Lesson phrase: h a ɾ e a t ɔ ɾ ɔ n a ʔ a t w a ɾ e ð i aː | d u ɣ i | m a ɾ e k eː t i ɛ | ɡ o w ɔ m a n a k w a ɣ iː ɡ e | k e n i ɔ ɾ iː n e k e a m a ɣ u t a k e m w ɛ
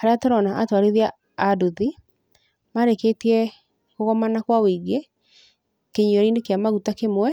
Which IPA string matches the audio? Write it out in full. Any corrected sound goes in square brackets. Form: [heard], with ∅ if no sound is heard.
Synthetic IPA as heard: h a ɾ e a t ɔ ɾ ɔ n a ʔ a t w a ɾ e ð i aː | d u [ð] i | m a ɾ e k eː t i ɛ | [k] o [ɣ] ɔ m a n a k w a [w] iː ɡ e | k e [ɲ] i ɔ ɾ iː n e k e a m a ɣ u t a k e m w ɛ